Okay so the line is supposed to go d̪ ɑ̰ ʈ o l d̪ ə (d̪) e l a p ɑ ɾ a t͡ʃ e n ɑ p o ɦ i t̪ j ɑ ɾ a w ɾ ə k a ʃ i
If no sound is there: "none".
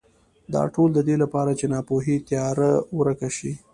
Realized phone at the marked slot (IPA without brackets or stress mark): d̪